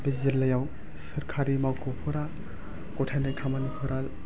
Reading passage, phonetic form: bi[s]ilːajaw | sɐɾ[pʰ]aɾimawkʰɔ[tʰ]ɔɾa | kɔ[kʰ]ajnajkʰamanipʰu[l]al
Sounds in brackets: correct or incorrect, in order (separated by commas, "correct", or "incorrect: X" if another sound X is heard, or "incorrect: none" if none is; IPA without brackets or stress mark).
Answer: incorrect: z, incorrect: kʰ, incorrect: pʰ, incorrect: tʰ, incorrect: ɾ